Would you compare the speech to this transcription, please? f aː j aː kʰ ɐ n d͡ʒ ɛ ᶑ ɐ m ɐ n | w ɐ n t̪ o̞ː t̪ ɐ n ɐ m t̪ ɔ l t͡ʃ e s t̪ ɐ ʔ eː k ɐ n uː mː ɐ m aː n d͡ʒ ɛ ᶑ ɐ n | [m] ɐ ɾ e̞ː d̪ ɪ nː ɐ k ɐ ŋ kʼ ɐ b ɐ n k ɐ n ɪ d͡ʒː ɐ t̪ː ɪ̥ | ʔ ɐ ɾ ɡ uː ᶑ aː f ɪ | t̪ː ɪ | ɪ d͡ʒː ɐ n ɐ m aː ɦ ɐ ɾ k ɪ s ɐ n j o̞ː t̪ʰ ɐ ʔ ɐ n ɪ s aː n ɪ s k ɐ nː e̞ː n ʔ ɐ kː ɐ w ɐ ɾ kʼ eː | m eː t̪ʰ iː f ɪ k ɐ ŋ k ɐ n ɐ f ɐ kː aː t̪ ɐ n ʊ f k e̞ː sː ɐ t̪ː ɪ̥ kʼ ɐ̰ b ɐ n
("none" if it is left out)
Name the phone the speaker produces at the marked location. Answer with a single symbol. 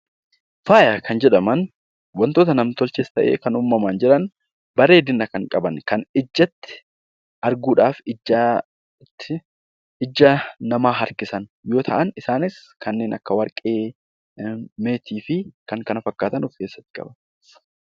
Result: b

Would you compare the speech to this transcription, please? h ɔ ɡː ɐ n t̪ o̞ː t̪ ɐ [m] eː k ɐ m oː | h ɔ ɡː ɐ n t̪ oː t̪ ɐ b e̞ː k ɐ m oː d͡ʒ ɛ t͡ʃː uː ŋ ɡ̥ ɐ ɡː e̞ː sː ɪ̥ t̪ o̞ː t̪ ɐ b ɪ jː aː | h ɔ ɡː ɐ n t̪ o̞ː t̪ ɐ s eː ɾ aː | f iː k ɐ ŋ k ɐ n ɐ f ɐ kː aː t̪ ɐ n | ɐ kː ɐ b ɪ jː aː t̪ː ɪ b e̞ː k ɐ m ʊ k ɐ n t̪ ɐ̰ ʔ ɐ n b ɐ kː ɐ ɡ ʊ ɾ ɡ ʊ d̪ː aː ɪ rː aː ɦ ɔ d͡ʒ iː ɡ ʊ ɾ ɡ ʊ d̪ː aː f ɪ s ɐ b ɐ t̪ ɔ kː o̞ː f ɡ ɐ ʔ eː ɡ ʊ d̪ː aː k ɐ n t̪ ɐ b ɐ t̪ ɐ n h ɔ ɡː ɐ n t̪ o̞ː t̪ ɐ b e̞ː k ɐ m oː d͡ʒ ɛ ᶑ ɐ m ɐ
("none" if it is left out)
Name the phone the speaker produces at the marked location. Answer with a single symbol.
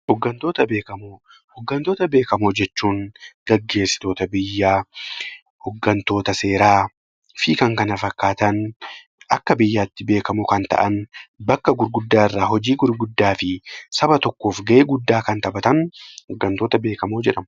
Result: b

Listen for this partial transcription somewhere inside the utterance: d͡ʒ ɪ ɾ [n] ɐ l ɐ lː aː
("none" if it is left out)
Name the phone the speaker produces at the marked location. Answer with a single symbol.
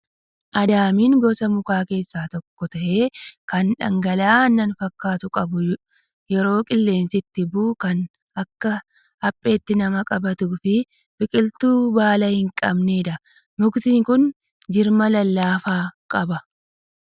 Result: m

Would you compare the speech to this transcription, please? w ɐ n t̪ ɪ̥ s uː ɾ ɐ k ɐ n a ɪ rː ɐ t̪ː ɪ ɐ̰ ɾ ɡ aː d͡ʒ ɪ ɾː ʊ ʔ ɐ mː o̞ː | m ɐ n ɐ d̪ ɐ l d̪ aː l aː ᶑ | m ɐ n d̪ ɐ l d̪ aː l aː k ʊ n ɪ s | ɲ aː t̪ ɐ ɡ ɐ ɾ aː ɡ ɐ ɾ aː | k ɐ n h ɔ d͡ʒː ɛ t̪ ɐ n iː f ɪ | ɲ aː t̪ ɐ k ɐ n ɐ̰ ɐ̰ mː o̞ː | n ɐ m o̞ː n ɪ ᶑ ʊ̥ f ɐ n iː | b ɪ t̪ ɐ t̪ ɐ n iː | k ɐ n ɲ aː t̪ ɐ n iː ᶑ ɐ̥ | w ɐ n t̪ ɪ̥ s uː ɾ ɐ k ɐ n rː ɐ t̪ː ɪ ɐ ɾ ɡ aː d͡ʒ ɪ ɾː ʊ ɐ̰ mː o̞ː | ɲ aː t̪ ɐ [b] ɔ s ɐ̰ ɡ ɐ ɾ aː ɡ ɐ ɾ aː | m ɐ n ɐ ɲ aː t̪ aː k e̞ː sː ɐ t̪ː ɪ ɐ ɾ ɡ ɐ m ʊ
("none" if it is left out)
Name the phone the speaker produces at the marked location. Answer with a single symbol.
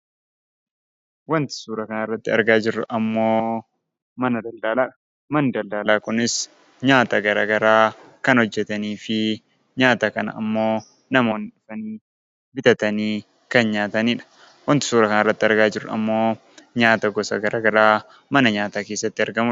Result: ɡ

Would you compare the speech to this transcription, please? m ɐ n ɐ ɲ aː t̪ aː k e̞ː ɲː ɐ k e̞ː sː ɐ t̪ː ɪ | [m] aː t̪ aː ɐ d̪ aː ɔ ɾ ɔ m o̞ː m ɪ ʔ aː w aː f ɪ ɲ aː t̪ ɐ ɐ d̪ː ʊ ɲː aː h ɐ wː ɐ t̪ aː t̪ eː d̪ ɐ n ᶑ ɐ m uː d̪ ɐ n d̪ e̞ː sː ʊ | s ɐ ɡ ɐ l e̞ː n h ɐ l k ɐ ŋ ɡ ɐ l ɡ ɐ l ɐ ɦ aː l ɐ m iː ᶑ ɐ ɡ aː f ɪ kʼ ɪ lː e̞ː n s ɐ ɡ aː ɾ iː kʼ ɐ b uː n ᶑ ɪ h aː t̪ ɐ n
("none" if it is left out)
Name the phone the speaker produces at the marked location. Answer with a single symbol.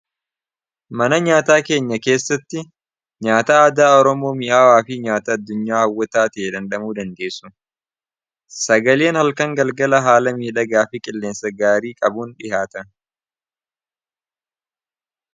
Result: ɲ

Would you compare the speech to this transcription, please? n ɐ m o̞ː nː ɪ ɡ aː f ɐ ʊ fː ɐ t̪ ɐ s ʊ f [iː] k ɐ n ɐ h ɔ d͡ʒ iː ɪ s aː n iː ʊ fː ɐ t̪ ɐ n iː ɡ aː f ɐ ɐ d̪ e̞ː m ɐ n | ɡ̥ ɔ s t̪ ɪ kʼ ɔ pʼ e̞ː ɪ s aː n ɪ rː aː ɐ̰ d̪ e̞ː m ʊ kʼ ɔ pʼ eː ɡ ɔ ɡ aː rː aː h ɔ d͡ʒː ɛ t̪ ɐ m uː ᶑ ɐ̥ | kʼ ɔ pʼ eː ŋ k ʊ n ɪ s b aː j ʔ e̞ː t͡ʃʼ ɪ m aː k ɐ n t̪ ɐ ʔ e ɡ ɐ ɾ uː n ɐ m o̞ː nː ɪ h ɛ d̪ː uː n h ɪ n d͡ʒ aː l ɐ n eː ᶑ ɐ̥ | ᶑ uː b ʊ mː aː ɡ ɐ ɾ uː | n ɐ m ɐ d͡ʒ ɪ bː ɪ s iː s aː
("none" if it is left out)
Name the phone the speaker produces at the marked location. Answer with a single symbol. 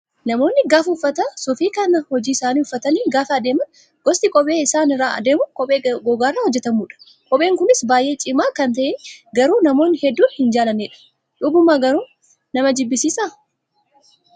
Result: iː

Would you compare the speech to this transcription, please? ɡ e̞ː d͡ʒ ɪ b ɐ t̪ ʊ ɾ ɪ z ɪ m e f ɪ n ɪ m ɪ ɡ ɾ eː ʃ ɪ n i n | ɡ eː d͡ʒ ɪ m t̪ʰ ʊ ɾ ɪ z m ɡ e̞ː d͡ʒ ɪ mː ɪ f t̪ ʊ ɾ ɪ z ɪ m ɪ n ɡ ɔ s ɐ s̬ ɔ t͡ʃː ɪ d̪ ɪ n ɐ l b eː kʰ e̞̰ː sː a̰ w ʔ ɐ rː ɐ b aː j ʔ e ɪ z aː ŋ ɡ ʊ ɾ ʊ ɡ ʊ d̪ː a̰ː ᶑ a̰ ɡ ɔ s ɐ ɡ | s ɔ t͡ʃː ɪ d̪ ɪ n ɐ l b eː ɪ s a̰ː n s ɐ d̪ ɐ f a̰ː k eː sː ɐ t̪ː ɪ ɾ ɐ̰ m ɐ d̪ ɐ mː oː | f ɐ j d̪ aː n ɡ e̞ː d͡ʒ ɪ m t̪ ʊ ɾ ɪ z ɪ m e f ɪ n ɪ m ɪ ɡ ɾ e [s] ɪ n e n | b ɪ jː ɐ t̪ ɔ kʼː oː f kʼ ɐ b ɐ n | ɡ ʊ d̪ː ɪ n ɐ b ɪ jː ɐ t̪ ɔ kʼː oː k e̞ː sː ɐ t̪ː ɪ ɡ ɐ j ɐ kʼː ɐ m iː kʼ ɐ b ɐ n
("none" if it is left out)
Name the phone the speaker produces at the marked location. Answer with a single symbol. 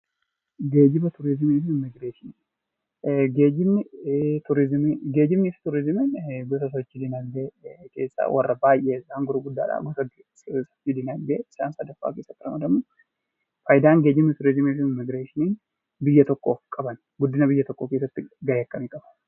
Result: ʃ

